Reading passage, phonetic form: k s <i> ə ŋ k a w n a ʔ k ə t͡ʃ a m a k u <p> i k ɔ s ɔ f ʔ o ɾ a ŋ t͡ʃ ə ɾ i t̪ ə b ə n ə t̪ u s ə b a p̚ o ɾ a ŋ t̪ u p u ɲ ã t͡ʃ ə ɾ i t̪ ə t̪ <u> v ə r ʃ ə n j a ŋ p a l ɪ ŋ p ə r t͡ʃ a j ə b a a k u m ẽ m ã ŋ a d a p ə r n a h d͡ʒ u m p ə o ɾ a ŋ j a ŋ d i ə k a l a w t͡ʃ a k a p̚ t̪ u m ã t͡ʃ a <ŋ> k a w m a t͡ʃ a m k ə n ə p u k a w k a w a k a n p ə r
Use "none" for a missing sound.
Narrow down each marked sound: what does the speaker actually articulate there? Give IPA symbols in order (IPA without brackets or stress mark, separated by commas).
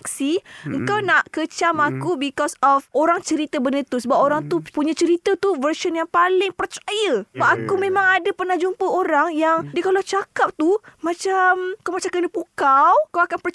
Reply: i, b, u, m